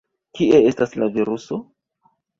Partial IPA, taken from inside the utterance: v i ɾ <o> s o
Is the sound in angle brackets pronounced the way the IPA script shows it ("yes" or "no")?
no